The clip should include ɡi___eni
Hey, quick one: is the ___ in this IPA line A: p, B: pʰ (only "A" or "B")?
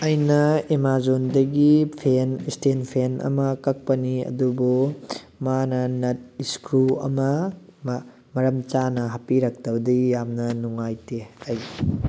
B